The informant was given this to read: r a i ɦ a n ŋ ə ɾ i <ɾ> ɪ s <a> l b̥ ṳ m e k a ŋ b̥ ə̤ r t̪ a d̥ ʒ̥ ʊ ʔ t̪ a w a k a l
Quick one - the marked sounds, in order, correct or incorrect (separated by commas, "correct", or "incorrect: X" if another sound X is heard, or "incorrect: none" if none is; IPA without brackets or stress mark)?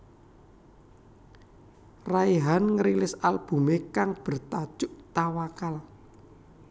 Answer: incorrect: l, correct